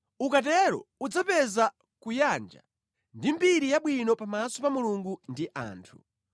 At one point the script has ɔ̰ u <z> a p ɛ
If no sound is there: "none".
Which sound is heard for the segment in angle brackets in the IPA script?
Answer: d͡z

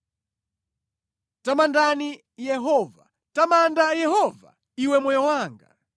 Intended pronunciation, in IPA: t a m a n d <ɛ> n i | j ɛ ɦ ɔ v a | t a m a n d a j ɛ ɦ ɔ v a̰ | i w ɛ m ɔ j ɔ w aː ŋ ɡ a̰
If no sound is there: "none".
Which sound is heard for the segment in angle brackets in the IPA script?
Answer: a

